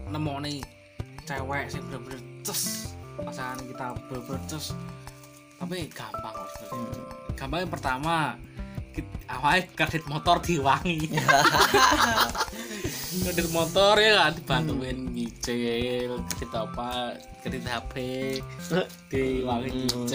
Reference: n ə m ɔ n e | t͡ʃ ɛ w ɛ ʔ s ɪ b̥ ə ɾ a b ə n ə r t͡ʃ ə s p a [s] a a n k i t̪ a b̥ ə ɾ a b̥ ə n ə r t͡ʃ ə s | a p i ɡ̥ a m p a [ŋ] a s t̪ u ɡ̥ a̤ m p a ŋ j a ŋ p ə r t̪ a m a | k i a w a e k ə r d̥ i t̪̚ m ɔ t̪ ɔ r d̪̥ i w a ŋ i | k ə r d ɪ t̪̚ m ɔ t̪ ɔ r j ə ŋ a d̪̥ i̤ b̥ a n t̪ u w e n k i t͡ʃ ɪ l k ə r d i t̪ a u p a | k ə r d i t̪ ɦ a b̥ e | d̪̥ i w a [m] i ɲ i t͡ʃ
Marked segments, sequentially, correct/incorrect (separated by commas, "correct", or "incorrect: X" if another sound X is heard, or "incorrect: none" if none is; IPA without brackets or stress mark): correct, correct, incorrect: ŋ